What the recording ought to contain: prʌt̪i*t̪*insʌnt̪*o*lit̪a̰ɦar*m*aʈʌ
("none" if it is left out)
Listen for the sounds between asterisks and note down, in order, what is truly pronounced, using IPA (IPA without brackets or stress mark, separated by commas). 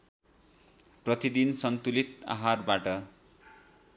d̪, u, b